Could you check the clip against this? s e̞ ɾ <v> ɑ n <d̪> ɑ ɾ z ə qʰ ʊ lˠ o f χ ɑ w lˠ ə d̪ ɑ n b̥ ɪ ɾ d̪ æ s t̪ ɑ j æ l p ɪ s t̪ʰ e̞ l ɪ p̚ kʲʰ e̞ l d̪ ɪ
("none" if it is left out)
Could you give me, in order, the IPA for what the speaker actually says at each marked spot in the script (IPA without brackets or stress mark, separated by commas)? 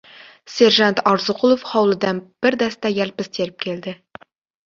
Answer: ʒ, t̪